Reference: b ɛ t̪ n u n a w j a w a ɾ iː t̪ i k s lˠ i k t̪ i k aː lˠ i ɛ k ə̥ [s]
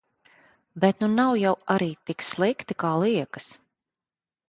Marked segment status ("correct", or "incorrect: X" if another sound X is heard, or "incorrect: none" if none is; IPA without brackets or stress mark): correct